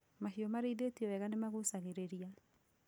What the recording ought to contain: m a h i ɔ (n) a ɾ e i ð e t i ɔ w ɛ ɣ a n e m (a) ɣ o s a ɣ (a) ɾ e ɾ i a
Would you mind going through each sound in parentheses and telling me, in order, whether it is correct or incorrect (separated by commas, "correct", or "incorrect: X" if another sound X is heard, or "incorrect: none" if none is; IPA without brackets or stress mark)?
incorrect: m, correct, incorrect: e